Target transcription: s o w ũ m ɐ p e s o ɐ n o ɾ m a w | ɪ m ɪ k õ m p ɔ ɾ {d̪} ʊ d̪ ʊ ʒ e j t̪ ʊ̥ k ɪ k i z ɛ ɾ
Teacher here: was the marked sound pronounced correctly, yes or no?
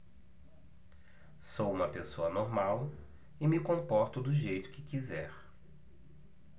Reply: no